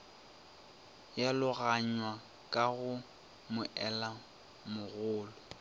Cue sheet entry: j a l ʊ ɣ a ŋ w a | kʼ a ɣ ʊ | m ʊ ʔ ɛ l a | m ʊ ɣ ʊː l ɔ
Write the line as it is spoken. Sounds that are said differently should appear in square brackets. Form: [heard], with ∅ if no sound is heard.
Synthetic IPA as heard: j a l ʊ ɣ a [ɲ] w a | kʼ a ɣ ʊ | m ʊ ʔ ɛ l a | m ʊ ɣ ʊː l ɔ